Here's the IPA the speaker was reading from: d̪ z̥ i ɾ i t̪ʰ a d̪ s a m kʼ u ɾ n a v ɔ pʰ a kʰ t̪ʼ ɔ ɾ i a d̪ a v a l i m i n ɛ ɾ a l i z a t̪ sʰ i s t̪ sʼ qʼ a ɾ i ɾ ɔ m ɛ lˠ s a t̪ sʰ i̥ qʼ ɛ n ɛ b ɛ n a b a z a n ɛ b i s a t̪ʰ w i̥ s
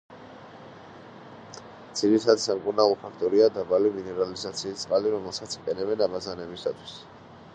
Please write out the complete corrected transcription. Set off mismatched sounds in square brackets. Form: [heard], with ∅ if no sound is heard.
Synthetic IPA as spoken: d̪ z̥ i ɾ i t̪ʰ a d̪ s a m kʼ u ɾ n a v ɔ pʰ a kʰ t̪ʼ ɔ ɾ i a d̪ a [b] a l i m i n ɛ ɾ a l i z a t̪ sʰ [iː] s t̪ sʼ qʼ a [l] i ɾ ɔ m ɛ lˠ s a t̪ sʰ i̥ qʼ ɛ n ɛ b ɛ n a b a z a n ɛ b i s a t̪ʰ w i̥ s